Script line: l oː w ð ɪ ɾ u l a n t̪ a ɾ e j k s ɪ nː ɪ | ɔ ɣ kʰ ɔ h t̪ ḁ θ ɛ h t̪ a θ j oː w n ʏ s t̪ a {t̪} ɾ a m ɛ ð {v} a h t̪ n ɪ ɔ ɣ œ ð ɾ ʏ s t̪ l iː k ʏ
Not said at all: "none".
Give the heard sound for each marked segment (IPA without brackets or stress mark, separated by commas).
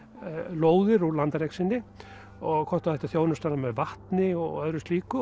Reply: none, v